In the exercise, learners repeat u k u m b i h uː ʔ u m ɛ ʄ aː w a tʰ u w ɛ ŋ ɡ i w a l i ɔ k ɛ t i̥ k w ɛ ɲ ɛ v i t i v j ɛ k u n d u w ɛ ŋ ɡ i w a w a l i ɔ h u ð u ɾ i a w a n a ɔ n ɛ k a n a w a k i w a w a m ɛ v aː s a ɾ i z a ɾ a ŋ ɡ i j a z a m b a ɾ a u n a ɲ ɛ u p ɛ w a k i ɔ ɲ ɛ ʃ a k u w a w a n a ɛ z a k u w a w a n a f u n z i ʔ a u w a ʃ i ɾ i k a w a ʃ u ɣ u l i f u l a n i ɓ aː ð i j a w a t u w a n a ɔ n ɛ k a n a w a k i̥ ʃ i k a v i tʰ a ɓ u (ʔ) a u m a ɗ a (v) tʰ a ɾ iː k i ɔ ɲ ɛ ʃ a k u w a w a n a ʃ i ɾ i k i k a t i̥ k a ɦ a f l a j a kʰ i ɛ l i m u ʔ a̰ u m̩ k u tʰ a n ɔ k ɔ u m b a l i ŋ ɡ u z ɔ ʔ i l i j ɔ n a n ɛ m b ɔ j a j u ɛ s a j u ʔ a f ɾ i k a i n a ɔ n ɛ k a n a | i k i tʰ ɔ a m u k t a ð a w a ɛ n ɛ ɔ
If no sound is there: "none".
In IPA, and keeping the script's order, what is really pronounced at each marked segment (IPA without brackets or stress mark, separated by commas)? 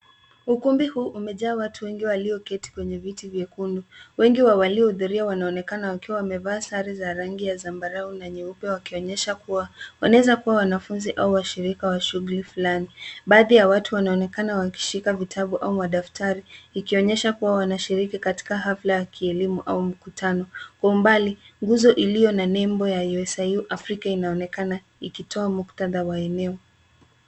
ʔ, f